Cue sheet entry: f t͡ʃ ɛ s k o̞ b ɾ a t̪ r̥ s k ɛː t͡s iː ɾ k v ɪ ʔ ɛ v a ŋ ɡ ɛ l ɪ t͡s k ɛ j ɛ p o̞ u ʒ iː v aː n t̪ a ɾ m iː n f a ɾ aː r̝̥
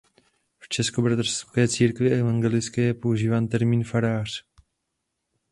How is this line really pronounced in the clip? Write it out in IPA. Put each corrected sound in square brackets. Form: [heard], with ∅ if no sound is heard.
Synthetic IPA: f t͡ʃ ɛ s k o̞ b ɾ a t̪ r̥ s k ɛː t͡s iː ɾ k v ɪ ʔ ɛ v a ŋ ɡ ɛ l ɪ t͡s k ɛ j ɛ p o̞ u ʒ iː v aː n t̪ [ɛ] ɾ m iː n f a ɾ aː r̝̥